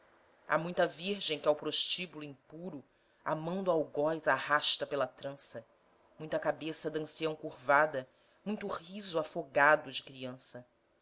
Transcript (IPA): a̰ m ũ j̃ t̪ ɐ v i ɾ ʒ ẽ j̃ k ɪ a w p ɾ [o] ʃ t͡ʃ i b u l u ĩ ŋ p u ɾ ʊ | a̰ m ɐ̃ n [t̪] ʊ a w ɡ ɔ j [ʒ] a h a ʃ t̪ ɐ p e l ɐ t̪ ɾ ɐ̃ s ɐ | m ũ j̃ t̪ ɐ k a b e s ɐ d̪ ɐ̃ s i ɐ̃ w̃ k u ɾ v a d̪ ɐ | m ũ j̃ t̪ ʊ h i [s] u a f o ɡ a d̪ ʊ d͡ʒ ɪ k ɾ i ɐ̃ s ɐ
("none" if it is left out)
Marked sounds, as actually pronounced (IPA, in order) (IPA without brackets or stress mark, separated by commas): o, d̪, z, z